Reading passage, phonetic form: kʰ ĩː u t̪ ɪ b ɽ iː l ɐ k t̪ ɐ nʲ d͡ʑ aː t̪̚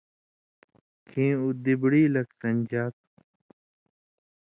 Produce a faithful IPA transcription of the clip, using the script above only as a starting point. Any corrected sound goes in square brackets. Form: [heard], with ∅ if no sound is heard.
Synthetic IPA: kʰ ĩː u [d̪] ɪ b ɽ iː l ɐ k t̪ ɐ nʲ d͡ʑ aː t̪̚